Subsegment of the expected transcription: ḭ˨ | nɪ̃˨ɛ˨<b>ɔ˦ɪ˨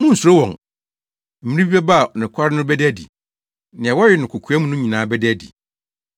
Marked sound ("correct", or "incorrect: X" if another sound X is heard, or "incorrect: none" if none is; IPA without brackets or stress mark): incorrect: w